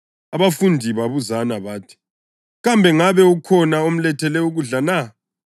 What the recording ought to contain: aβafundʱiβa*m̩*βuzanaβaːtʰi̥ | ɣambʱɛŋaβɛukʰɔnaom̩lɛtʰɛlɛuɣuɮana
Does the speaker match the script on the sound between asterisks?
no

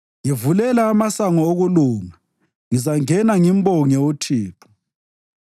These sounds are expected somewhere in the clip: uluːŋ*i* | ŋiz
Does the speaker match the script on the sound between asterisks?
no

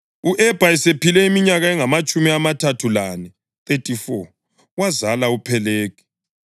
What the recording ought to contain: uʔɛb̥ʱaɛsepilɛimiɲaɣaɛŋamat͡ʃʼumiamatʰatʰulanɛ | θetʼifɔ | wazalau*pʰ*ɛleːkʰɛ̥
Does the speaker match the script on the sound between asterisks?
yes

